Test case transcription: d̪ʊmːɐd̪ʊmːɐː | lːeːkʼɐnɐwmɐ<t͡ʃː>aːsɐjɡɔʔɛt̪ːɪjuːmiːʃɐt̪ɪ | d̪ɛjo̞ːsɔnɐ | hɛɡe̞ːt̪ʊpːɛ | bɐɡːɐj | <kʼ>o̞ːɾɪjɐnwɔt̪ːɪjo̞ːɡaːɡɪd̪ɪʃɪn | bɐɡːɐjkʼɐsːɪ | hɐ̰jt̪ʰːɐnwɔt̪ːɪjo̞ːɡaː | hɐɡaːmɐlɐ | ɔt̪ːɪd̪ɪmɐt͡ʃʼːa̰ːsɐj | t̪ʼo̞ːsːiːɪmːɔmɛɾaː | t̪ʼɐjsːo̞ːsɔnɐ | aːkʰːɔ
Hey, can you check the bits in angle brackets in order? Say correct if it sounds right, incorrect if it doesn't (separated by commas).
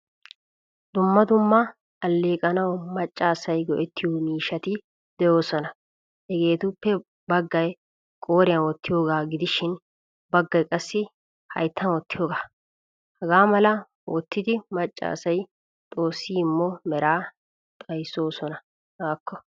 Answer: incorrect, correct